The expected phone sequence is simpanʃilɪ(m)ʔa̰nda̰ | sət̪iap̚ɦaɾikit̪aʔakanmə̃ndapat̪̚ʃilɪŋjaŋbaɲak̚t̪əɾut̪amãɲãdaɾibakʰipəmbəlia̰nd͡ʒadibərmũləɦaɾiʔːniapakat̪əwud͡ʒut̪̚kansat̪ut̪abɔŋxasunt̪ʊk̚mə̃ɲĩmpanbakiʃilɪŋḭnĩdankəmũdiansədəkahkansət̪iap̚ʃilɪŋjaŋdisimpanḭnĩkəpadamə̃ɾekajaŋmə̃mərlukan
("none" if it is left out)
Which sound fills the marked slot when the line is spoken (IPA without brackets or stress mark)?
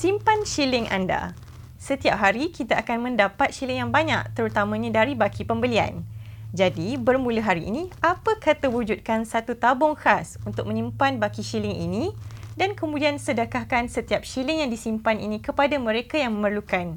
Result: ŋ